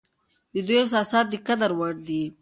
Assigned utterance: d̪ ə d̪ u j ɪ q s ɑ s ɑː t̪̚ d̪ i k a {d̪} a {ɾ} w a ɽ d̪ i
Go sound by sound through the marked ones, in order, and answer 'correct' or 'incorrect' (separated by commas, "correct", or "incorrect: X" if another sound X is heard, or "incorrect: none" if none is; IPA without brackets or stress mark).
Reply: correct, correct